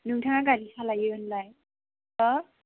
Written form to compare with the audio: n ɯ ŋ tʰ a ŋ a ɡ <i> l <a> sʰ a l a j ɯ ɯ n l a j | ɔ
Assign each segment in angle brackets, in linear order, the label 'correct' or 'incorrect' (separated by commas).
incorrect, incorrect